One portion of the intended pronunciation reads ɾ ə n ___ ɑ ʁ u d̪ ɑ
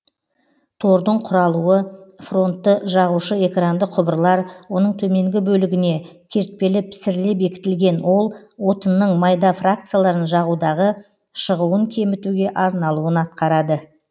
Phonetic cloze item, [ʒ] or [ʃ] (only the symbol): ʒ